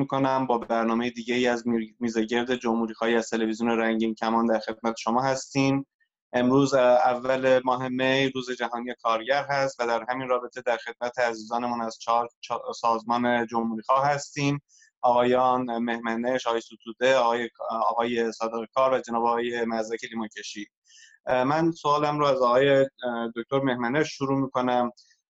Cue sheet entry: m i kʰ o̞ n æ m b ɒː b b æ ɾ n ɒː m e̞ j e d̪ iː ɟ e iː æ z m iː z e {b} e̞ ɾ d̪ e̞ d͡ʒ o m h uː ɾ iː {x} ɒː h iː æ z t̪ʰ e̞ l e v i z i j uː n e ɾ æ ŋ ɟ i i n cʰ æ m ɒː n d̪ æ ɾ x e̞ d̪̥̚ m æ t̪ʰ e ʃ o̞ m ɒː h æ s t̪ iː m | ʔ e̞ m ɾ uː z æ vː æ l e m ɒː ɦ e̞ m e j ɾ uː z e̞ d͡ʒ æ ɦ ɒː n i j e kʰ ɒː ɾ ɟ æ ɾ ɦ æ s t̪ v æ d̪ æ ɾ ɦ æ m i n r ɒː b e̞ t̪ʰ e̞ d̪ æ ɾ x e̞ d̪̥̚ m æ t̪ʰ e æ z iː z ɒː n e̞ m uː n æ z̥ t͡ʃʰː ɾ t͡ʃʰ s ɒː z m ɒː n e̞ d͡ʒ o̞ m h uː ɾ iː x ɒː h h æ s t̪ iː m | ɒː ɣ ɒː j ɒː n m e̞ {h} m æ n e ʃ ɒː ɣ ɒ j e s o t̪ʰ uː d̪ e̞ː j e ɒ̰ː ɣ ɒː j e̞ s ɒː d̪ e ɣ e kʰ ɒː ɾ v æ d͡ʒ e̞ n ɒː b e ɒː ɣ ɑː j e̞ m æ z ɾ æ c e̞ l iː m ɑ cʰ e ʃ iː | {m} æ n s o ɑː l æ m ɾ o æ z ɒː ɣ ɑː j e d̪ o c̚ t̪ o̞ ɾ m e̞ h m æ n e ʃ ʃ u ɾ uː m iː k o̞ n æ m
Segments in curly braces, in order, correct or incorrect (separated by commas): incorrect, correct, correct, correct